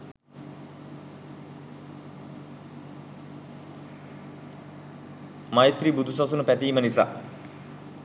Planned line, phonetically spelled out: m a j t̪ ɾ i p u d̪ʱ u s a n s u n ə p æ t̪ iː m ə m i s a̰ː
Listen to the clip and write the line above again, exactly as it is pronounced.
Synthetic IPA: m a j t̪ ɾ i b u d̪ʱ u s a s u n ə p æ t̪ iː m ə n i s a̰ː